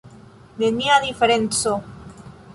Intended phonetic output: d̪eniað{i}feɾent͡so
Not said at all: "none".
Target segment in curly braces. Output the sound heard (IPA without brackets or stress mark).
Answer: i